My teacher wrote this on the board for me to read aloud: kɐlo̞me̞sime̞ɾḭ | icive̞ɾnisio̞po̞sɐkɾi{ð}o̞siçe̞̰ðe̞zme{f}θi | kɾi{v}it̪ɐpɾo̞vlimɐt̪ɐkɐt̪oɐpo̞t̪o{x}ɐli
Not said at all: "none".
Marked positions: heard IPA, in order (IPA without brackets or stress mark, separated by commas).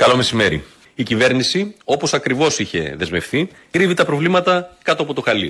v, f, v, x